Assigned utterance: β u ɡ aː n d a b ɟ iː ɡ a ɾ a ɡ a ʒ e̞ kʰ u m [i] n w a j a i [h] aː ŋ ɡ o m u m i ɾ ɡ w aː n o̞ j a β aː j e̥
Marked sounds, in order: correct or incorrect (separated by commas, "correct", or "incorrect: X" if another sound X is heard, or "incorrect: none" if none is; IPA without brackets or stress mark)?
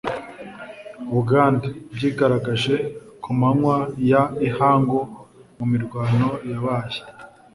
incorrect: a, correct